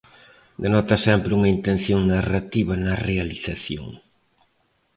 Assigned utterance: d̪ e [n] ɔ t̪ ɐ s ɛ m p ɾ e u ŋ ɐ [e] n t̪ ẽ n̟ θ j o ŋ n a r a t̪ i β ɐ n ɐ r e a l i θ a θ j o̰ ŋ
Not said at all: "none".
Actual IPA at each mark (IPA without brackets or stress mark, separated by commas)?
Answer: n, i